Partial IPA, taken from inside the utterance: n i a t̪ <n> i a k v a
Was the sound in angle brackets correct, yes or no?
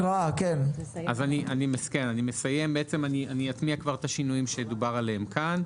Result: no